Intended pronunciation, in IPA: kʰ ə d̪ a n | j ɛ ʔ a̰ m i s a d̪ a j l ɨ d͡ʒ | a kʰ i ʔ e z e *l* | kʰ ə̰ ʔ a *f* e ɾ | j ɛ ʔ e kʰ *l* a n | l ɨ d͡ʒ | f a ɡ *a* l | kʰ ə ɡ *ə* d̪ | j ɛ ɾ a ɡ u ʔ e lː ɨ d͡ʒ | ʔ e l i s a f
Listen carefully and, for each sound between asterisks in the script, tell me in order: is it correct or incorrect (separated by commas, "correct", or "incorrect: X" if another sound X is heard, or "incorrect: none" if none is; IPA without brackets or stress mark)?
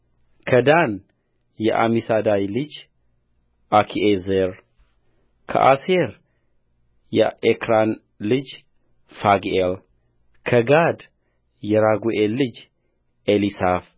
incorrect: ɾ, incorrect: s, incorrect: ɾ, incorrect: e, incorrect: a